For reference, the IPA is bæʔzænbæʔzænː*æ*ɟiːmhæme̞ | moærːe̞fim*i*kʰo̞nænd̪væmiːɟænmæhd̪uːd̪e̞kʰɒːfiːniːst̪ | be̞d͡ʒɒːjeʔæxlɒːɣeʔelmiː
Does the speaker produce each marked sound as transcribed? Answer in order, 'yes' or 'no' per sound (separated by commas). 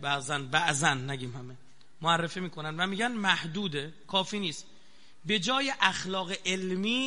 yes, no